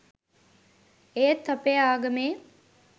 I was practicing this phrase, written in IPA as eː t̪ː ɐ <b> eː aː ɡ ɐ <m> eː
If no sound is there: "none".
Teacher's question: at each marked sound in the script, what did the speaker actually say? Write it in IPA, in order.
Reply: p, m

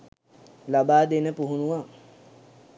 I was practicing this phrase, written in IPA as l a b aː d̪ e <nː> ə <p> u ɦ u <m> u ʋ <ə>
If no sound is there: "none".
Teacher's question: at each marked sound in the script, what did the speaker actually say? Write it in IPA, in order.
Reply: n, p, n, a

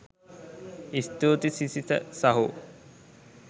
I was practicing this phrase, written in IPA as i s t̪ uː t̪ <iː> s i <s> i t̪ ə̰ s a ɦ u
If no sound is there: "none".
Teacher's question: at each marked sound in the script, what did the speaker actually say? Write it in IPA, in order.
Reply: i, s

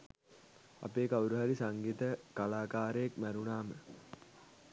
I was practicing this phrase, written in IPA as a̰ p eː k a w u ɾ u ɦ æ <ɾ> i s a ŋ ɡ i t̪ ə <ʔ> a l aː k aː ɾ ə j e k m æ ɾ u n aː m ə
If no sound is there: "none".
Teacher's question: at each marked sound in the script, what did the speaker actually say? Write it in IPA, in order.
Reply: ɾ, k

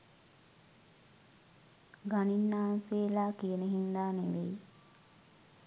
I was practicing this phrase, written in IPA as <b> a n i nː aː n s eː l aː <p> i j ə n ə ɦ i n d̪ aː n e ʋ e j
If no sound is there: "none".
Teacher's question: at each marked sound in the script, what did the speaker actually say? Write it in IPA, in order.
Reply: ɡ, k

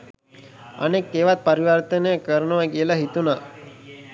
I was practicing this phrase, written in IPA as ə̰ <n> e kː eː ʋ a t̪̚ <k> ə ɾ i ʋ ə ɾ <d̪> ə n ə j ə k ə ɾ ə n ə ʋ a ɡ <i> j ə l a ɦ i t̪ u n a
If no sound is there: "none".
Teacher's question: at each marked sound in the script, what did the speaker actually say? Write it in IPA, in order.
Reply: n, p, t̪, i

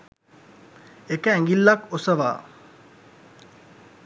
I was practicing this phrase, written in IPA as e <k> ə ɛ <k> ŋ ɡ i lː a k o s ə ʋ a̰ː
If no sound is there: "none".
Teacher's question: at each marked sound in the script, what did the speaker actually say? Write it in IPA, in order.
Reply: k, none

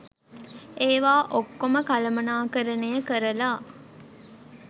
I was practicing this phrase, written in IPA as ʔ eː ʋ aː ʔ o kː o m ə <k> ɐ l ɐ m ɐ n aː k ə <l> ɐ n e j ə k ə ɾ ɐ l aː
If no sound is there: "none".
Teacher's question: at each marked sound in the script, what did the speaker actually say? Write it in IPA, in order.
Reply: k, ɾ

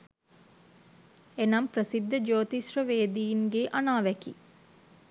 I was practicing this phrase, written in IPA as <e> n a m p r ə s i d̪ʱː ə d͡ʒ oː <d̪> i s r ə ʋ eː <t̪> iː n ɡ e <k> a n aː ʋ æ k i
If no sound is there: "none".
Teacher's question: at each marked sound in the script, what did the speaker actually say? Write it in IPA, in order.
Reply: e, t̪, d̪, ʔ

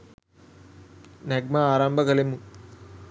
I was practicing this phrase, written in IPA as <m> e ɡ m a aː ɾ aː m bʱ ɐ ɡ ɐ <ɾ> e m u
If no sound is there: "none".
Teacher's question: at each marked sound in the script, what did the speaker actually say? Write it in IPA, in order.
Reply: n, l

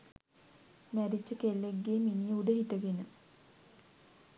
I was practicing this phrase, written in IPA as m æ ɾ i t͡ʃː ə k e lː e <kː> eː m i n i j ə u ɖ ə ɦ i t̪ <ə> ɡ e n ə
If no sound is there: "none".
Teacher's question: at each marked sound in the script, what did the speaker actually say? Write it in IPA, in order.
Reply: ɡː, ə

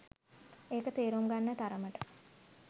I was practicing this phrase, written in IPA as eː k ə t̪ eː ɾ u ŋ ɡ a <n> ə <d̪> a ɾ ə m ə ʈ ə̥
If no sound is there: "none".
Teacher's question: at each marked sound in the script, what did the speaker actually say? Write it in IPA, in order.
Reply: nː, t̪

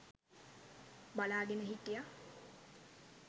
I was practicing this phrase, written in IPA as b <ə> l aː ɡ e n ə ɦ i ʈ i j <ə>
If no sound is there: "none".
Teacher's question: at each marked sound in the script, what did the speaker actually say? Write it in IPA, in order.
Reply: a, a

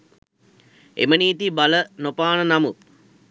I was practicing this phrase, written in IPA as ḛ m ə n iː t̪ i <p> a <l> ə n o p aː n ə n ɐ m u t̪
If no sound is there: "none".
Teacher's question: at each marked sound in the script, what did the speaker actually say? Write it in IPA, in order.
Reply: b, l

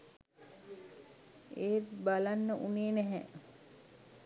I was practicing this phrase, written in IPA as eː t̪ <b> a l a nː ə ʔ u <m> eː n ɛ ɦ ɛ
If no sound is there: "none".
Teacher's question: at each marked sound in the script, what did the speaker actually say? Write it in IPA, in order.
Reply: b, n

